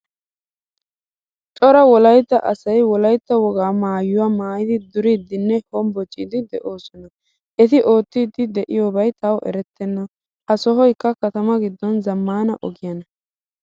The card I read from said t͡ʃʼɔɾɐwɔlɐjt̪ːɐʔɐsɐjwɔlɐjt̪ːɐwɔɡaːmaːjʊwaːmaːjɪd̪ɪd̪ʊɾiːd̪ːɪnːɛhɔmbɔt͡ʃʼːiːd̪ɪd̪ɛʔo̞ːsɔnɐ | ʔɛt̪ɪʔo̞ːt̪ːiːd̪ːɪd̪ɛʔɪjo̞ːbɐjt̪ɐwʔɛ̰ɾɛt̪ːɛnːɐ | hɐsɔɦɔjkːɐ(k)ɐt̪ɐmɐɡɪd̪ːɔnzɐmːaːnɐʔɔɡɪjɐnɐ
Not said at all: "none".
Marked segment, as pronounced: k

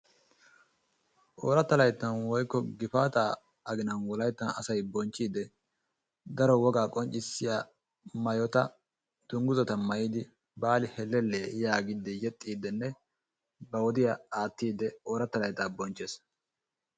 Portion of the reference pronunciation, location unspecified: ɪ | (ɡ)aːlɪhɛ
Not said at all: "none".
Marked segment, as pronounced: b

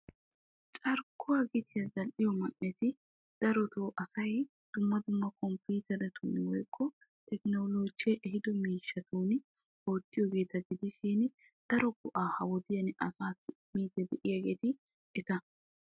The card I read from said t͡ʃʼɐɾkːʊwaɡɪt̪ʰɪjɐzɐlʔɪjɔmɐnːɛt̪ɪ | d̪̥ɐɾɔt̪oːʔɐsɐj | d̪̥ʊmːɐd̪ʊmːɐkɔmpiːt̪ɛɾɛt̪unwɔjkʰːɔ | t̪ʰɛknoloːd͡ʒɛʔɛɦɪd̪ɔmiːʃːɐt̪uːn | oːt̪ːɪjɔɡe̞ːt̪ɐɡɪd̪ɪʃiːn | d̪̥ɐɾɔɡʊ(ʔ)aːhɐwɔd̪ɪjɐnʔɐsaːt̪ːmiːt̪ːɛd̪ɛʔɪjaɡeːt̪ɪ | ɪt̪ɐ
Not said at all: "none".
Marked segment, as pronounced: ʔ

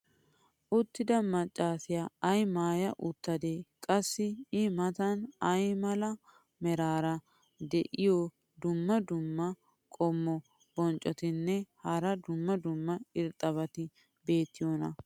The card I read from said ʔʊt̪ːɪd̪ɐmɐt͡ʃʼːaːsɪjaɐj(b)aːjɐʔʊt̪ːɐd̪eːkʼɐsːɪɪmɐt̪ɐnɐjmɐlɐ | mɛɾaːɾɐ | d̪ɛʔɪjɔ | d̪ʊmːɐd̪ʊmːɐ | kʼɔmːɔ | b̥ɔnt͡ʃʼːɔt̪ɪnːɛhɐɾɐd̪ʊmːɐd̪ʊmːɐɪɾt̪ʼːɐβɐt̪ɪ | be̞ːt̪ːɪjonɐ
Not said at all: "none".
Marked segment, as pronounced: m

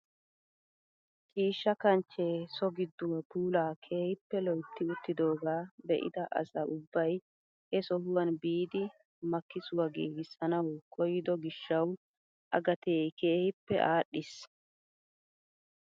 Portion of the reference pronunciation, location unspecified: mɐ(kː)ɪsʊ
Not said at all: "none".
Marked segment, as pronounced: kː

